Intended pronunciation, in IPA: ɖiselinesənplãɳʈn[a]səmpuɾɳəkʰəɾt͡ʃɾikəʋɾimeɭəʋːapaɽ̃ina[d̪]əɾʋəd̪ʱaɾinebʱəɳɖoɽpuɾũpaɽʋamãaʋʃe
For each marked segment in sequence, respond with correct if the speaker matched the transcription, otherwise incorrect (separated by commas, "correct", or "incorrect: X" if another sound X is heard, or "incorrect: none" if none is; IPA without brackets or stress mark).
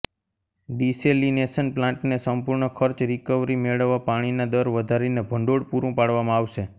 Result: incorrect: e, correct